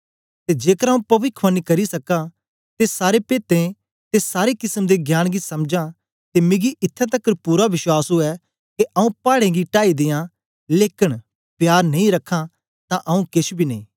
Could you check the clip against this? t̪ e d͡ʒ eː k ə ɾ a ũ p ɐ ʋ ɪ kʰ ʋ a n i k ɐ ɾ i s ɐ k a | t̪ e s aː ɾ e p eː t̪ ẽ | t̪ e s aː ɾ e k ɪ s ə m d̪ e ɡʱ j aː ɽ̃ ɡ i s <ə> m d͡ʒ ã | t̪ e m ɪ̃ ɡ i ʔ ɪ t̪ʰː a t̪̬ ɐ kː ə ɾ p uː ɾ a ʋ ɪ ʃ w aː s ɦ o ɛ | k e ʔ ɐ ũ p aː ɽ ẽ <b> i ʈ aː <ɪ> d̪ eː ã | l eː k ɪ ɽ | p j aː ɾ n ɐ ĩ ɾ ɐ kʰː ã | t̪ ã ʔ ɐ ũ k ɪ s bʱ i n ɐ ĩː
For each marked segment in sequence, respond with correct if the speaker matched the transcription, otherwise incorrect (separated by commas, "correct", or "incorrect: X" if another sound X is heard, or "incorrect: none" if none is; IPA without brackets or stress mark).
incorrect: ɐ, incorrect: ɡ, incorrect: i